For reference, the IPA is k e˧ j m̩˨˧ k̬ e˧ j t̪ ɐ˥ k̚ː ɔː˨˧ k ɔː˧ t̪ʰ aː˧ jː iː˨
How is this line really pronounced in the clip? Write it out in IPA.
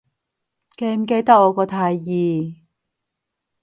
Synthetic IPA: k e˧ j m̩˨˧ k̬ e˧ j t̪ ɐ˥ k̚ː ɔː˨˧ k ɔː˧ t̪ʰ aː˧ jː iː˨

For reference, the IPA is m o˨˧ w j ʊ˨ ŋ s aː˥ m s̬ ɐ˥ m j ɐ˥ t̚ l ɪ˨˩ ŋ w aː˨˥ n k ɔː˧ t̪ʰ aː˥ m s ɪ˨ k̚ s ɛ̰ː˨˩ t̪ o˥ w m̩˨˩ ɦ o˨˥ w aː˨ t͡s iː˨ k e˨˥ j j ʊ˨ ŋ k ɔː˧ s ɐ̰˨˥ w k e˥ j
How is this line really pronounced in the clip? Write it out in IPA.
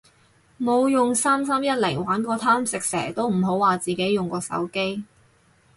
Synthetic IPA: m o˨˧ w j ʊ˨ ŋ s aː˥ m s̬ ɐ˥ m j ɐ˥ t̚ l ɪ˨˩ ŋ w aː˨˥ n k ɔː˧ t̪ʰ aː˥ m s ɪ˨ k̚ s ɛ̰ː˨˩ t̪ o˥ w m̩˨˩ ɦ o˨˥ w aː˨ t͡s iː˨ k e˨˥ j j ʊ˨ ŋ k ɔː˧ s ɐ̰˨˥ w k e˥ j

